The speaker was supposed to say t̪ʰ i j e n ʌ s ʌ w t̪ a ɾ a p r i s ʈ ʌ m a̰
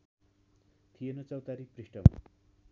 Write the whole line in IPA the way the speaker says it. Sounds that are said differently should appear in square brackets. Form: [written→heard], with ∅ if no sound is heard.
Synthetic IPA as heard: t̪ʰ i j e n ʌ [s→t͡s] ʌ w t̪ a ɾ [a→i] p r i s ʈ ʌ m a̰